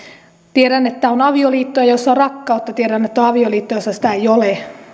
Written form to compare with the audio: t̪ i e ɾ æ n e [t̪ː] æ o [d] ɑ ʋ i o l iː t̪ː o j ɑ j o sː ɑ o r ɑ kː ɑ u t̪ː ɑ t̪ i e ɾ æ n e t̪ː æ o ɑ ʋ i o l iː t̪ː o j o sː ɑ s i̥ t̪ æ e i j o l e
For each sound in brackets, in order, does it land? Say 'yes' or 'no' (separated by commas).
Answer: yes, no